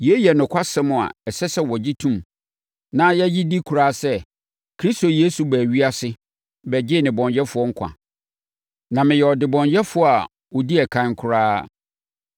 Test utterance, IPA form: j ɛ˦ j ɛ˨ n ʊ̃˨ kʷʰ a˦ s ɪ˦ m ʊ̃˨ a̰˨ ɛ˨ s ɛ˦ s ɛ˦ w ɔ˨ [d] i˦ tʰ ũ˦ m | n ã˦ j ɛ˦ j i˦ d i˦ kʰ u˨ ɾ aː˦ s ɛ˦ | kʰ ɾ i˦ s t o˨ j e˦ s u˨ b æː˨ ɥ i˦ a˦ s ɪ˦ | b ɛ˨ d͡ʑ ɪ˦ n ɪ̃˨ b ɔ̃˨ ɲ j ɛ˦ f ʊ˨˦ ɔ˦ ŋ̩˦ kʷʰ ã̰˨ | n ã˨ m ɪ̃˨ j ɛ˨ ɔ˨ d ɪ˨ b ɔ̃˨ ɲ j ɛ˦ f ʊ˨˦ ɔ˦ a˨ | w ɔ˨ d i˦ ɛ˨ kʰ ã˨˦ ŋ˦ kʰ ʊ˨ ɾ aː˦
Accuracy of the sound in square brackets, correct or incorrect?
incorrect